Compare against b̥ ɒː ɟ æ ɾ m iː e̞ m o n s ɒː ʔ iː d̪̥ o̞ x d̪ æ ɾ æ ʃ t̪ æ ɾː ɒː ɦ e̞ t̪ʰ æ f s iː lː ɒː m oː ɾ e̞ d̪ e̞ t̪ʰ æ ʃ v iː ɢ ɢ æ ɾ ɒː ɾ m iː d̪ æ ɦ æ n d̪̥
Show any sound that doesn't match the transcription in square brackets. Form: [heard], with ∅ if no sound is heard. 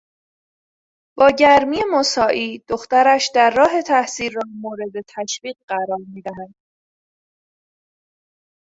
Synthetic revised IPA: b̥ ɒː ɟ æ ɾ m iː e̞ m o [∅] s ɒː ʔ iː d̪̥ o̞ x [t̪] æ ɾ æ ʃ [d̪] æ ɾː ɒː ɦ e̞ t̪ʰ æ [h] s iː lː ɒː m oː ɾ e̞ d̪ e̞ t̪ʰ æ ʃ v iː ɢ ɢ æ ɾ ɒː ɾ m iː d̪ æ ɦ æ n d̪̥